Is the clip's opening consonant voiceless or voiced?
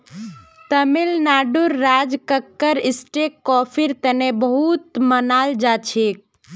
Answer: voiceless